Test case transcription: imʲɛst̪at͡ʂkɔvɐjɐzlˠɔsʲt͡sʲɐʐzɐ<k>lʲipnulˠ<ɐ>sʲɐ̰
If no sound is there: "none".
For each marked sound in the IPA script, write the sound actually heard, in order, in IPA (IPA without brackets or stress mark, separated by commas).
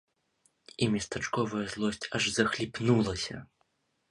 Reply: x, ɐ